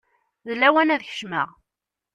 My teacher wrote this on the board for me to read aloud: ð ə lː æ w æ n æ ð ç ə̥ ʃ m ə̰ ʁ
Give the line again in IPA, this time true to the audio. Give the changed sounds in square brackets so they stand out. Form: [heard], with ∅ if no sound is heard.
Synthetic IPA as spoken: ð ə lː æ w æ n æ ð ç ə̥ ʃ m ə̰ ʁ